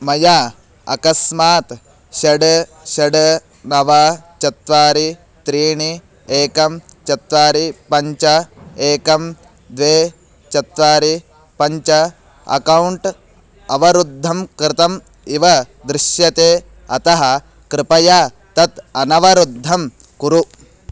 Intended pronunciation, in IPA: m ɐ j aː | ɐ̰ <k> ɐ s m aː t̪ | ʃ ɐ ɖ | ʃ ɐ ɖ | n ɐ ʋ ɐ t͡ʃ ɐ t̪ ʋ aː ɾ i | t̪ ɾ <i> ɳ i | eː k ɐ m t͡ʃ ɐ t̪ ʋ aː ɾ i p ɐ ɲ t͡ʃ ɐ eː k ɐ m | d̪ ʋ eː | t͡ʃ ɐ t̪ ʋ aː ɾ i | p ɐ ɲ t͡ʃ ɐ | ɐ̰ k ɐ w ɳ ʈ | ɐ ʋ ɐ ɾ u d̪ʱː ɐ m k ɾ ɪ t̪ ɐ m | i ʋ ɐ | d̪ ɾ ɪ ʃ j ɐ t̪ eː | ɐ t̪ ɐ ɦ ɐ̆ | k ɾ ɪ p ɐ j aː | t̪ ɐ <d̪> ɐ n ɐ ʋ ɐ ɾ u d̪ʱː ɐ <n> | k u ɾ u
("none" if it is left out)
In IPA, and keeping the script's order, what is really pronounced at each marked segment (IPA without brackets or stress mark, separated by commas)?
k, iː, t̪, m